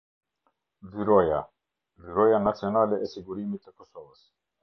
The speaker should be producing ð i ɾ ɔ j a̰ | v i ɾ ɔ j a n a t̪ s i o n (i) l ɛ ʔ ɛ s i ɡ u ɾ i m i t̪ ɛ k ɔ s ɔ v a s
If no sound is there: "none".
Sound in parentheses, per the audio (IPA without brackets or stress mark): a